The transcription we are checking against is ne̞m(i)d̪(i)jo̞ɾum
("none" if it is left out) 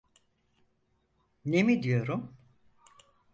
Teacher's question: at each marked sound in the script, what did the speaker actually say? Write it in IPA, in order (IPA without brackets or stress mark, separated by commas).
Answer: i, i